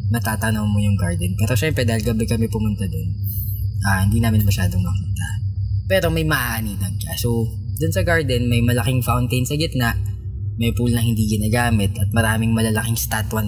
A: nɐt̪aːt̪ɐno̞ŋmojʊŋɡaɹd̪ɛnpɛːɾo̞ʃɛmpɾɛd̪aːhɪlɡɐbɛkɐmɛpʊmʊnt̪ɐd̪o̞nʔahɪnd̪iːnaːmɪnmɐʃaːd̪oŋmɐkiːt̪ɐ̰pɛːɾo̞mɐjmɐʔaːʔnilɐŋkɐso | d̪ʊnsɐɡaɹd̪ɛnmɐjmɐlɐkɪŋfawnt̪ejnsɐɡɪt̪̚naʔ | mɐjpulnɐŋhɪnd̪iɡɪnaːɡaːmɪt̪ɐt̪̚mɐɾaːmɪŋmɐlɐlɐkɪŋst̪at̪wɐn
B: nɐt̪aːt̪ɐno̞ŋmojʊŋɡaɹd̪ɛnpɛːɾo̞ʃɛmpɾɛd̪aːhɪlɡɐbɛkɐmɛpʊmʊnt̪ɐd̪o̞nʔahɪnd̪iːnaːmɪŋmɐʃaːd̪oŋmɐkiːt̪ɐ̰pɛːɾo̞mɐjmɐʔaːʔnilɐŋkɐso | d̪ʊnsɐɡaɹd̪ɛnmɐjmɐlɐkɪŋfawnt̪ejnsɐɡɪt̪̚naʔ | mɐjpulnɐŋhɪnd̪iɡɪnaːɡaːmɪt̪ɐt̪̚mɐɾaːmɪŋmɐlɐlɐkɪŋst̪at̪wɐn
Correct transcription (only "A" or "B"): A